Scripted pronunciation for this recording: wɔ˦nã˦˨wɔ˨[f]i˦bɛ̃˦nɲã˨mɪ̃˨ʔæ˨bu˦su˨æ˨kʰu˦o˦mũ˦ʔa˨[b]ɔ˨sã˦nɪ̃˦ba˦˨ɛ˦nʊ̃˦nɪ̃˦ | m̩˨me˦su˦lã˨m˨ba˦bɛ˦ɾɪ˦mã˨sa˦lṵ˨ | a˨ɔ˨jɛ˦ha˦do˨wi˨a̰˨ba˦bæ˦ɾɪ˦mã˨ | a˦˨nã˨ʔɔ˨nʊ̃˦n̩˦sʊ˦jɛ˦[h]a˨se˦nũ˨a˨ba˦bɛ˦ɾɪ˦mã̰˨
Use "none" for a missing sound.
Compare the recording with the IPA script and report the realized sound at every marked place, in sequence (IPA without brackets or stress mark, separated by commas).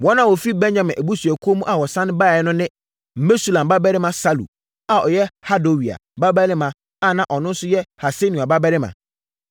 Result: f, w, h